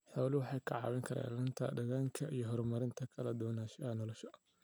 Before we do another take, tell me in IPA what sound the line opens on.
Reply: ħ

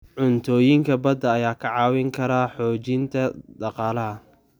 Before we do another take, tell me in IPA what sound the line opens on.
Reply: ʕ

